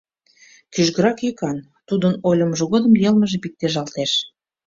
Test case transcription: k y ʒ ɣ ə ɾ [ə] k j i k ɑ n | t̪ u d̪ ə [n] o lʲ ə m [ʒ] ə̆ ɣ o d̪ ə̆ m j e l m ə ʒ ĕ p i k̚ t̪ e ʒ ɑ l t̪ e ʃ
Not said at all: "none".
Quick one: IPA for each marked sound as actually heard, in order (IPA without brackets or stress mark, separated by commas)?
ɑ, n, ʒ